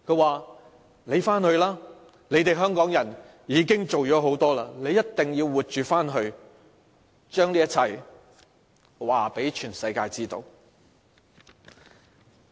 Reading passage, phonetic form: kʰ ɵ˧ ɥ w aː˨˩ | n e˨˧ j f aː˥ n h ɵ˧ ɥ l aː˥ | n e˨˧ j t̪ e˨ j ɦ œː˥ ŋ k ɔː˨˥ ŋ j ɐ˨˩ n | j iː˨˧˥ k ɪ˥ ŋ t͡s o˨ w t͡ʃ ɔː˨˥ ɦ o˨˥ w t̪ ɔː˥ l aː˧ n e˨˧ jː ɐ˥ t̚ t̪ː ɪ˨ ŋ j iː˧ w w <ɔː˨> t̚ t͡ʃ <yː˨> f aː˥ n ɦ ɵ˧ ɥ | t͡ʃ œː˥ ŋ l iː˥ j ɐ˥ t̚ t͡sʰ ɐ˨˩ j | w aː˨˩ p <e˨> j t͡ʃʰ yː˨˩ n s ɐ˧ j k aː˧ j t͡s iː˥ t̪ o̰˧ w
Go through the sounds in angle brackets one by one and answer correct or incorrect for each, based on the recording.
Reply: incorrect, correct, incorrect

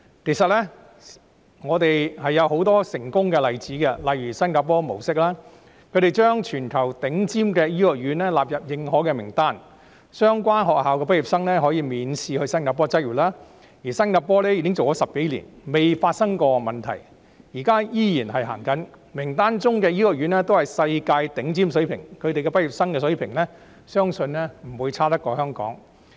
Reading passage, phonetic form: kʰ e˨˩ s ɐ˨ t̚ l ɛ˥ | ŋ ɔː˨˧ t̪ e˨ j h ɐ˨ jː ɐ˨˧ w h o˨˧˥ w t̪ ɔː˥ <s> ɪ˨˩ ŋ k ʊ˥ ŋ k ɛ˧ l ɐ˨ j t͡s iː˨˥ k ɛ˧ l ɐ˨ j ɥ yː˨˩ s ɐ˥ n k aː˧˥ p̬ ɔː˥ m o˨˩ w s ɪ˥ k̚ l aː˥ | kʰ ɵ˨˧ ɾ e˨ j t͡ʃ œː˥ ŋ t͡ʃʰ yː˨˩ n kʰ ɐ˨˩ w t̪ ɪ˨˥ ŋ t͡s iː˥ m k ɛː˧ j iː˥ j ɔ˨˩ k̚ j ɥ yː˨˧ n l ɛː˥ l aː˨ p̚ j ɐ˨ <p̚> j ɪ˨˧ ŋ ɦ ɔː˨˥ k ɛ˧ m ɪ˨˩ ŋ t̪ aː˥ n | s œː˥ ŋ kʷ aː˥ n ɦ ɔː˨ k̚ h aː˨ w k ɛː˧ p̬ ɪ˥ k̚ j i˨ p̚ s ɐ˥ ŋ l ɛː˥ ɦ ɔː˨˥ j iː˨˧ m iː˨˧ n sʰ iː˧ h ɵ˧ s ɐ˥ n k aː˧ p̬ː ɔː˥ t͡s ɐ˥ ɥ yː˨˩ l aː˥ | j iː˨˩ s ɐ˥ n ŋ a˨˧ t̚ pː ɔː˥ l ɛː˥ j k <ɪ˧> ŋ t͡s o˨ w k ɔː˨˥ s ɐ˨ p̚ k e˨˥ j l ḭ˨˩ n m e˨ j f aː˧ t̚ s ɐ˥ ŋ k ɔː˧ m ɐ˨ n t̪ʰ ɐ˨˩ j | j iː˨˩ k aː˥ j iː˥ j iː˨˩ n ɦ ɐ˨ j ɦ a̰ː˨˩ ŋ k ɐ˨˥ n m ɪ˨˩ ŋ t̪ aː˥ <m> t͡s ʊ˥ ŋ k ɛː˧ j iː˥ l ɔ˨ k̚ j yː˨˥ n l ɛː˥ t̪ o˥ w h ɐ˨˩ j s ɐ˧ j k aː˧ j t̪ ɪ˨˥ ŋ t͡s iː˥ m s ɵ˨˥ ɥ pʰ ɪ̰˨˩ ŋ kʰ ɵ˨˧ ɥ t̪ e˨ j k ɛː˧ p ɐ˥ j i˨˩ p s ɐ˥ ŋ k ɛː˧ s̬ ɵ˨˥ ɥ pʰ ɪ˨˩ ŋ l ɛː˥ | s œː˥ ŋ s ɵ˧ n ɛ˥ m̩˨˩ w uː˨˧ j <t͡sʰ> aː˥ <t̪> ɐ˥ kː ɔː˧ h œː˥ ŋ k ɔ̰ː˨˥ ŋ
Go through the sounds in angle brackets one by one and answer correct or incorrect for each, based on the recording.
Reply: correct, correct, incorrect, incorrect, correct, correct

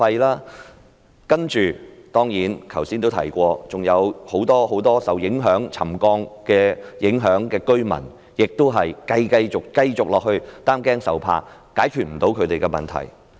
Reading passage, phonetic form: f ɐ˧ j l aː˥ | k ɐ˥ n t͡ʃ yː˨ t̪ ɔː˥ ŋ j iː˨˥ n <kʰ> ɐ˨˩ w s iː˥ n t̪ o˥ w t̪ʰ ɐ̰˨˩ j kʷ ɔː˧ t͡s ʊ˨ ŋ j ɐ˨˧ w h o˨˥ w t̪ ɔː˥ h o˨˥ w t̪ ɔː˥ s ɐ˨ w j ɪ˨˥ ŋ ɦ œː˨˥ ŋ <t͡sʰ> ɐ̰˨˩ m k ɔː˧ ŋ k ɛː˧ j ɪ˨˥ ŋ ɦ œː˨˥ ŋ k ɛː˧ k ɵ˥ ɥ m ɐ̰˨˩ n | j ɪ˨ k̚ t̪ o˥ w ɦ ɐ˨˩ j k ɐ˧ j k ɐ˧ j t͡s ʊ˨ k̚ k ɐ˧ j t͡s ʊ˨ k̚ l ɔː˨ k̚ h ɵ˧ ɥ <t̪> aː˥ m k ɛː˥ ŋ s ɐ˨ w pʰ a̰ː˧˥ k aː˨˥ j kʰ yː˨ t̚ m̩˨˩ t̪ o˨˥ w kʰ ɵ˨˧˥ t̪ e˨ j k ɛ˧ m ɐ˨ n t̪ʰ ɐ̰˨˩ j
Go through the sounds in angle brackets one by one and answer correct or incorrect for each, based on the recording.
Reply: correct, correct, correct

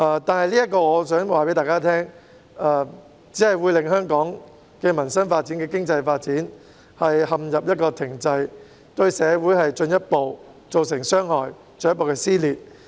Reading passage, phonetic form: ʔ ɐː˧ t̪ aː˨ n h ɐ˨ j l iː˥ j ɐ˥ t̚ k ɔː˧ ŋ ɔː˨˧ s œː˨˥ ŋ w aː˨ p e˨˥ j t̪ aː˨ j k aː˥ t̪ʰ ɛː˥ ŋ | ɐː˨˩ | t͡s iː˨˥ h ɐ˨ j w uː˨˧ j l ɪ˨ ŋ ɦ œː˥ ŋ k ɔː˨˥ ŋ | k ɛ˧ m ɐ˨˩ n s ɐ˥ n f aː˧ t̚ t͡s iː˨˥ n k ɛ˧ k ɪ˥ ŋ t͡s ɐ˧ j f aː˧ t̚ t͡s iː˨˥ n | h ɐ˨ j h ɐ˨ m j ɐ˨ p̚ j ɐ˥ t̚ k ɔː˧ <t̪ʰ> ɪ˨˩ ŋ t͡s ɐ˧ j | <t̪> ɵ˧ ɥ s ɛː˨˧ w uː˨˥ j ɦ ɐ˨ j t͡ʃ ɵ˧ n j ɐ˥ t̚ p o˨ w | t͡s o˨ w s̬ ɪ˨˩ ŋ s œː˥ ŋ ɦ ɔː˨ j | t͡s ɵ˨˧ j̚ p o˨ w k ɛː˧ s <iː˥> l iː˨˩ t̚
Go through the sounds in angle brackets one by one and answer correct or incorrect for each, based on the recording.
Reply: correct, correct, correct

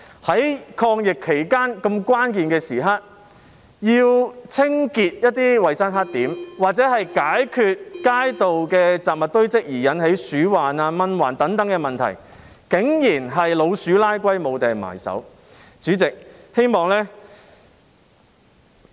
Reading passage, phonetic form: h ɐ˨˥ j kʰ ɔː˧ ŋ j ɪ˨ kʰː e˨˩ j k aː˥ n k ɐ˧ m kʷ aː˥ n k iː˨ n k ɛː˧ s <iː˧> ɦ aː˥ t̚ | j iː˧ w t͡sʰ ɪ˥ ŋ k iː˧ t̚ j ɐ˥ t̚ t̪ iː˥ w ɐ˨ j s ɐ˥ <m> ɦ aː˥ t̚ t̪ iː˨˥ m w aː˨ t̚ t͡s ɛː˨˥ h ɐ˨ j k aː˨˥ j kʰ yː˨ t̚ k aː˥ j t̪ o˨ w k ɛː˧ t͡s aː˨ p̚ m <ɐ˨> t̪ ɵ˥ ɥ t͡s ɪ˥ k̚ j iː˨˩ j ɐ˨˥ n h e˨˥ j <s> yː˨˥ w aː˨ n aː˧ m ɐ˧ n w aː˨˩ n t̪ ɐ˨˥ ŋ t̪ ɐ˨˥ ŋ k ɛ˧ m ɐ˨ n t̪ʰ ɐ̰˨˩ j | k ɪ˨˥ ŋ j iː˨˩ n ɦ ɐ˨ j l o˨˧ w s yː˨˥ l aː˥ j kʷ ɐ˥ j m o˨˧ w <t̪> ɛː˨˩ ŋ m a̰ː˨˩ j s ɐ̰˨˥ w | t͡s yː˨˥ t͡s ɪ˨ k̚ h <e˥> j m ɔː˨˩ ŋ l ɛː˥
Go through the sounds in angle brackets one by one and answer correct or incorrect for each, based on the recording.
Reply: incorrect, incorrect, correct, correct, correct, correct

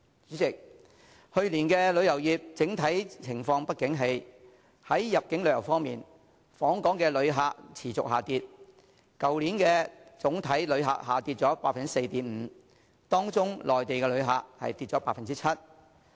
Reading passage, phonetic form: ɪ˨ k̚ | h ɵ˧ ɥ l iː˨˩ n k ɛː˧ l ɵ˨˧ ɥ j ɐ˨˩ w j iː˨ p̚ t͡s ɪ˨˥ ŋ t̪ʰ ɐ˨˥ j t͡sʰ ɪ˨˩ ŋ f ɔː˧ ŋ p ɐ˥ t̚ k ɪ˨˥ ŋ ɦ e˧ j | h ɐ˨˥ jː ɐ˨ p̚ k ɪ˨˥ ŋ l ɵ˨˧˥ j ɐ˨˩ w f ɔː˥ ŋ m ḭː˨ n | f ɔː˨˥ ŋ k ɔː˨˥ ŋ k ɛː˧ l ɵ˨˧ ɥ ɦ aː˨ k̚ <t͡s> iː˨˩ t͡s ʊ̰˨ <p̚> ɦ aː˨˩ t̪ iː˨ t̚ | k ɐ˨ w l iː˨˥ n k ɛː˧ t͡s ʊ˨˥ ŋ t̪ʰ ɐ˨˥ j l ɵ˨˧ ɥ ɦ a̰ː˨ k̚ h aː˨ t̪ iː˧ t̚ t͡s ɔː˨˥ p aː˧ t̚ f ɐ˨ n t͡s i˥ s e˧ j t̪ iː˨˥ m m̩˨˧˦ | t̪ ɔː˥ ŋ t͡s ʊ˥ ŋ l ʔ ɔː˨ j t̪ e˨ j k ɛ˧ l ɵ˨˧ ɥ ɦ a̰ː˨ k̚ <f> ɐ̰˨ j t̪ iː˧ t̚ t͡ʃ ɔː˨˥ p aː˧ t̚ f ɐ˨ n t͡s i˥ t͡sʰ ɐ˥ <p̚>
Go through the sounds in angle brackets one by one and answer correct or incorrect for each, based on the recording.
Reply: incorrect, incorrect, incorrect, incorrect

